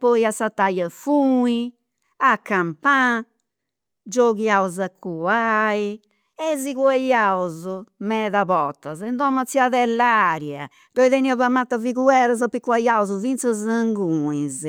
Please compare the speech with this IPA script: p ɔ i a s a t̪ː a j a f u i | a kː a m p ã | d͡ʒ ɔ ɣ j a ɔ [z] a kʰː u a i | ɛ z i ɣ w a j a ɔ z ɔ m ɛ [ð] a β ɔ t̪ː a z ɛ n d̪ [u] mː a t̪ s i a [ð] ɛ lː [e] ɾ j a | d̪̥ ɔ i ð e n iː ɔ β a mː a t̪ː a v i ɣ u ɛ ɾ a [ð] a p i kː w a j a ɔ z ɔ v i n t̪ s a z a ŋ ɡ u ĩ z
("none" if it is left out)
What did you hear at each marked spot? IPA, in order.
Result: z, ð, ɔ, ð, a, z

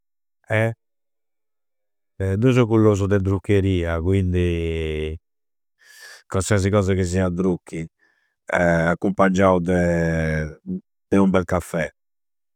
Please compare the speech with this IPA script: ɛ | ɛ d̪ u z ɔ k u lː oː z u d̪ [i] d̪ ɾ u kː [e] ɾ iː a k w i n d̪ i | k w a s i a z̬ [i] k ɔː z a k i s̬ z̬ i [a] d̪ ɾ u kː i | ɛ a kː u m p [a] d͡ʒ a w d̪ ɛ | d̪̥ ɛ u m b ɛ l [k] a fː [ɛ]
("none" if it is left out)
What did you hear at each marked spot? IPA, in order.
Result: ɛ, e, i, a, a, k, ɛ

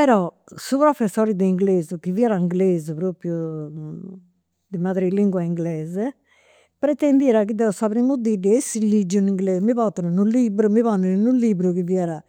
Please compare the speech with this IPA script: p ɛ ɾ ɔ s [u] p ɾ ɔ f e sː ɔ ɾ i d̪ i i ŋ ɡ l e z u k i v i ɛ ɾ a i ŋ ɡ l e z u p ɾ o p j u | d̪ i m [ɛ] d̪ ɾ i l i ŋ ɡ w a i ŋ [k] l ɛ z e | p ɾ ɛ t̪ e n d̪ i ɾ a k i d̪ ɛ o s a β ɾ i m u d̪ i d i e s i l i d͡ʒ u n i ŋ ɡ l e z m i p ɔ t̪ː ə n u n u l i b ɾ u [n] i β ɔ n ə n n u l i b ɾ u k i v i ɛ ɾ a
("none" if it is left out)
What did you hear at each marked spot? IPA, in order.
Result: u, a, ɡ, m

